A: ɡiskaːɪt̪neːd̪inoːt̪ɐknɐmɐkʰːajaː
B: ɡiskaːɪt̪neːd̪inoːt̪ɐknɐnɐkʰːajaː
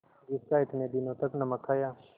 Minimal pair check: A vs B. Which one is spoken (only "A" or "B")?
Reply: A